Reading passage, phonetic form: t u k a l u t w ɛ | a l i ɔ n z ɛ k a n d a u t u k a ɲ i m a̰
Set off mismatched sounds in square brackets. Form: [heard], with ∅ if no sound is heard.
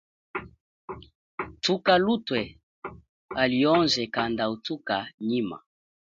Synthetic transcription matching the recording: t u k a l u t w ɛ | a l i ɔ n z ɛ k a n d a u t u k a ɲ i m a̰